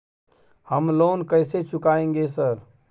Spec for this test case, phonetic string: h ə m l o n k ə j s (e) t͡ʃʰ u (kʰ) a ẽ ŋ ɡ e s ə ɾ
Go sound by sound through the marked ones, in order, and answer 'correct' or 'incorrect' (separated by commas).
correct, incorrect